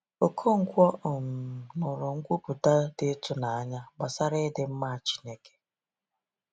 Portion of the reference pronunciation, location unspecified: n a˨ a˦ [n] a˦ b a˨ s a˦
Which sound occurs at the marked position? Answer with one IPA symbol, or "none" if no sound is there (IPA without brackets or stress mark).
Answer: ɲ